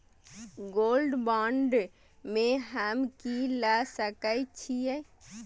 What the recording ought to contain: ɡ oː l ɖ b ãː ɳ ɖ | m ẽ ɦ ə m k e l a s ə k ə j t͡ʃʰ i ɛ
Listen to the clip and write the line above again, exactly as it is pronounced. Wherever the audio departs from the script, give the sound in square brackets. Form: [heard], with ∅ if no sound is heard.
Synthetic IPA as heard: ɡ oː l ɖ b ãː ɳ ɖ | m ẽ ɦ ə m k [i] l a s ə k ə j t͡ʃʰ i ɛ